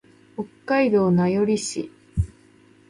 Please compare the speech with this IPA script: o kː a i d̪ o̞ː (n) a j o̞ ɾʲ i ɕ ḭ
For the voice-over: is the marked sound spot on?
yes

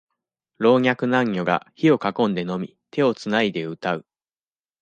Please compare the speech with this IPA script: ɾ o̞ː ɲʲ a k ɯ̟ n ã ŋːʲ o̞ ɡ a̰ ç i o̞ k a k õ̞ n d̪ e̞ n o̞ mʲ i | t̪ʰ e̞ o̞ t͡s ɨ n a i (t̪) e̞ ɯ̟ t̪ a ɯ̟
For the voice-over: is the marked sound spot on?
no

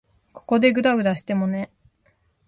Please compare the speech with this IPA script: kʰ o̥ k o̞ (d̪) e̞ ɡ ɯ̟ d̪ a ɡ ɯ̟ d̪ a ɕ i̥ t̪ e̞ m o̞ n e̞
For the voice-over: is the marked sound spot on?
yes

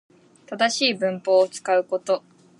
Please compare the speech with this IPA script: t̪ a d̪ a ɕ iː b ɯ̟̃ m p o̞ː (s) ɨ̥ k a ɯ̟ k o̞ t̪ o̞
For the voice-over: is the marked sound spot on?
no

